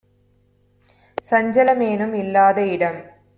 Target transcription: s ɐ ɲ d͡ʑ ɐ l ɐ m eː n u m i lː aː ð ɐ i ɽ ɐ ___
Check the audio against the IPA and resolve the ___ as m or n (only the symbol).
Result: m